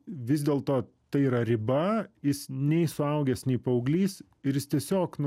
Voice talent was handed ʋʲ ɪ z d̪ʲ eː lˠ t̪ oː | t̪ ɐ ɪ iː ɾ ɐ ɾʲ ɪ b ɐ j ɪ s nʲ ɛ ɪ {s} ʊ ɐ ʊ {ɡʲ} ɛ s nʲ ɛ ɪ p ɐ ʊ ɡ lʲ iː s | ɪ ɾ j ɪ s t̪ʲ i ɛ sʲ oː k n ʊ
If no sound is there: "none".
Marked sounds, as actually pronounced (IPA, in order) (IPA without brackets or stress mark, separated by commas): s, ɡʲ